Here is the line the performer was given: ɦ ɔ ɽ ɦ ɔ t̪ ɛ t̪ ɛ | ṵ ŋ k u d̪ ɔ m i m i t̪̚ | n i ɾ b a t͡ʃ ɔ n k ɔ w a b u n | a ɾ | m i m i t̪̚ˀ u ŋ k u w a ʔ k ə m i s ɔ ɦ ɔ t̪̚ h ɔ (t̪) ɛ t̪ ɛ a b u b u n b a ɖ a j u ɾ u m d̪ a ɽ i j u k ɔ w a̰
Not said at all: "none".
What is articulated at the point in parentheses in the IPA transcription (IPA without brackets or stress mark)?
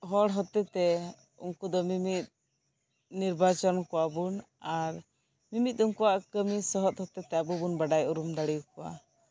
t̪